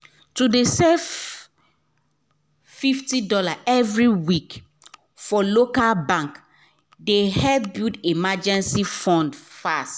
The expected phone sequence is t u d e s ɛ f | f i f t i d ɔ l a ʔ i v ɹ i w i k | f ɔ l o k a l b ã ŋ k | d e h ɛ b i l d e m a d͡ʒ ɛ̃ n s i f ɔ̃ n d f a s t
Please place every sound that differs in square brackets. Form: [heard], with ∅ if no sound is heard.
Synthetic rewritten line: t u d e s ɛ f | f i f t i d ɔ l a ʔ [ɛ] v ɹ i w i k | f ɔ l o k a l b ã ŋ k | d e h ɛ b i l d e m a d͡ʒ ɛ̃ n s i f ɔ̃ n d f a s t

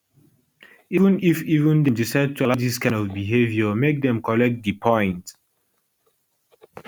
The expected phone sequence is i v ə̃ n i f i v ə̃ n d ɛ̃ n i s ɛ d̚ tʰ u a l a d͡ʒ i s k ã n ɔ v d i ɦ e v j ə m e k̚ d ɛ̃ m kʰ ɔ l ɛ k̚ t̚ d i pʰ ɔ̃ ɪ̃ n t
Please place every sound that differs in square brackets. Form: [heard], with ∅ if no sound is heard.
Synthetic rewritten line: i v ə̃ n i f i v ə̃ n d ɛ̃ [d] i s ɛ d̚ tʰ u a l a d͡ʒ i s k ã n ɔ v [b] i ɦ e v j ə m e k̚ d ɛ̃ m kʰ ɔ l ɛ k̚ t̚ d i pʰ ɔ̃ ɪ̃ n t

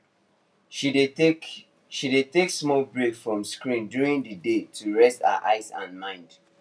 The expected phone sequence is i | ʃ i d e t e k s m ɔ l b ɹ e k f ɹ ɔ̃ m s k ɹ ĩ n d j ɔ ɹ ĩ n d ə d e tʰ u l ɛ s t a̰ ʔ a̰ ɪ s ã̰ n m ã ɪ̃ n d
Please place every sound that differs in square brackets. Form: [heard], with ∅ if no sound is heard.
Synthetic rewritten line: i | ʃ i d e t e k s m ɔ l b ɹ e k f ɹ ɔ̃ m s k ɹ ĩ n d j [u] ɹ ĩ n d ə d e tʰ u [ɹ] ɛ s t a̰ ʔ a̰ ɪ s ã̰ n m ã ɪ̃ n d

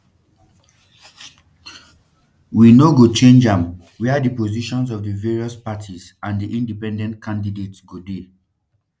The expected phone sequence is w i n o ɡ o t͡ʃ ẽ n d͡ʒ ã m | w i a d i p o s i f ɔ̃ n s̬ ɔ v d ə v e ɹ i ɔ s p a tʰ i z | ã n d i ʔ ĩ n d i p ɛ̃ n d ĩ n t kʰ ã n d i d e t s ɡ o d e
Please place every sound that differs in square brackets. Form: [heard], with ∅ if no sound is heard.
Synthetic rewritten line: w i n o ɡ o t͡ʃ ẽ n d͡ʒ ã m | w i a d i p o [z] i [ʃ] ɔ̃ n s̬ ɔ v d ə v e ɹ i ɔ s p a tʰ i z | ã n d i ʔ ĩ n d i p ɛ̃ n d [ɛ̃] n t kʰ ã n d i d e t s ɡ o d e

